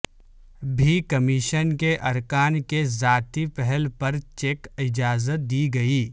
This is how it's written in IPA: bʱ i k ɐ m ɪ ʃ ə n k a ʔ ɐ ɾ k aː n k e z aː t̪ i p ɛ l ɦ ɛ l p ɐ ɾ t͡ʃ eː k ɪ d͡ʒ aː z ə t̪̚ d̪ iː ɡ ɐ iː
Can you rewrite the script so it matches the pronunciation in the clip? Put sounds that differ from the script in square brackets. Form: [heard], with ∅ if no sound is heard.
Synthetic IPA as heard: bʱ i k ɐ m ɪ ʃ ə n k [e] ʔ ɐ ɾ k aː n k e z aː t̪ i p ɛ [∅] ɦ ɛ l p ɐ ɾ t͡ʃ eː k ɪ d͡ʒ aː z ə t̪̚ d̪ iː ɡ ɐ iː

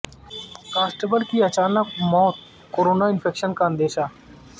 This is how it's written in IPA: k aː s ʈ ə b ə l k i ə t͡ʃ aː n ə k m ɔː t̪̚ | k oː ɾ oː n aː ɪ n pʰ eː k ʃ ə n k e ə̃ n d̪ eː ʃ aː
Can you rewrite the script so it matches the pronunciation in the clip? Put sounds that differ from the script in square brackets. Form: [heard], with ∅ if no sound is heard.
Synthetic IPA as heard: k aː s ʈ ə b ə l k i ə t͡ʃ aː n ə k m ɔː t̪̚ | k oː ɾ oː n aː ɪ n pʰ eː k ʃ ə n k [a] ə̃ n d̪ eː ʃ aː

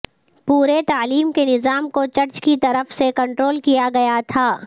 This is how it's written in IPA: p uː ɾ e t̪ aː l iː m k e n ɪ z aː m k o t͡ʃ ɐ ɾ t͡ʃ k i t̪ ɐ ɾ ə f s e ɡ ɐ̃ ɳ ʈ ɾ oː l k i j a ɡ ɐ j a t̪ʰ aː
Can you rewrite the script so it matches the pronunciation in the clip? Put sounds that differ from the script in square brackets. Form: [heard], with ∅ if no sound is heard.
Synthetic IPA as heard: p uː ɾ e t̪ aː l iː m k e n ɪ z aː m k o t͡ʃ ɐ ɾ t͡ʃ k i t̪ ɐ ɾ ə f s e [k] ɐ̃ ɳ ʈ ɾ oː l k i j a ɡ ɐ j a t̪ʰ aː

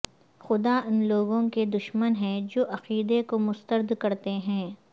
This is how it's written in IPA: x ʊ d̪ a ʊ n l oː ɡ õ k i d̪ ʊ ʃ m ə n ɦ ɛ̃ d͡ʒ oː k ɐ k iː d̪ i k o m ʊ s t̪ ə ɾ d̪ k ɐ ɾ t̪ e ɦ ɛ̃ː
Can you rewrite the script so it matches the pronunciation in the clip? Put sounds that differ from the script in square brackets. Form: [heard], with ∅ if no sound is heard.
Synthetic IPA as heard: x ʊ d̪ a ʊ n l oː ɡ õ k [e] d̪ ʊ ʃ m ə n ɦ ɛ̃ d͡ʒ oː [ʔ] ɐ [q] iː d̪ [e] k o m ʊ s t̪ ə ɾ d̪ k ɐ ɾ t̪ e ɦ ɛ̃ː

